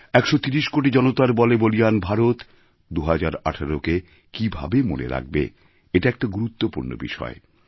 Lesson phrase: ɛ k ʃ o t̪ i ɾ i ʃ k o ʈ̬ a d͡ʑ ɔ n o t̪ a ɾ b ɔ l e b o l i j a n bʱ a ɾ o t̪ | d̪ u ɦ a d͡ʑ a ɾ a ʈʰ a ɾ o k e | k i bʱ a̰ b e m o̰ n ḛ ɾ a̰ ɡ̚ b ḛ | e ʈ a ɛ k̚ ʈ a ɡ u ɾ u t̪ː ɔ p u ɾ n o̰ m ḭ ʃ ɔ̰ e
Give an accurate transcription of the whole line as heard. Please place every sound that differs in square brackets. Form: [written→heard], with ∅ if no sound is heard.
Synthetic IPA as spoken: ɛ k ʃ o t̪ i ɾ i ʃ k o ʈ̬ [a→i] d͡ʑ ɔ n o t̪ a ɾ b ɔ l e b o l i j a n bʱ a ɾ o t̪ | d̪ u ɦ a d͡ʑ a ɾ a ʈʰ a ɾ o k e | k i bʱ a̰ b e m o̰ n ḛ ɾ a̰ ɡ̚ b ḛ | e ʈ a ɛ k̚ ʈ a ɡ u ɾ u t̪ː [ɔ→o] p u ɾ n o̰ [m→b] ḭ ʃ ɔ̰ e